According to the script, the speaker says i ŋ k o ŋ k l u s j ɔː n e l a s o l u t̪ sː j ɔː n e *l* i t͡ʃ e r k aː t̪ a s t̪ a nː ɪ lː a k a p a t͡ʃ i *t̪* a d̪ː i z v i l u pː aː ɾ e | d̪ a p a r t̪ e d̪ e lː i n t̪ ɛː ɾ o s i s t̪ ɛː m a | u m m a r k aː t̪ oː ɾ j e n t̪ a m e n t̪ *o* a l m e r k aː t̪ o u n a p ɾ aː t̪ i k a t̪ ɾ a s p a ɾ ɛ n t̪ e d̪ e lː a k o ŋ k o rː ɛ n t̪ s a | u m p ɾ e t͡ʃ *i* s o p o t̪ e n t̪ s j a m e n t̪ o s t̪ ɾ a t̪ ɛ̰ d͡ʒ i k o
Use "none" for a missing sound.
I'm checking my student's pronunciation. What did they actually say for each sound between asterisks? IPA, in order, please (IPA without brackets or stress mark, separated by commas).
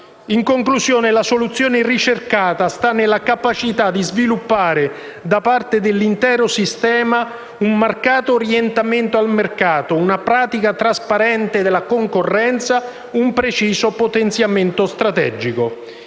r, t̪, o, iː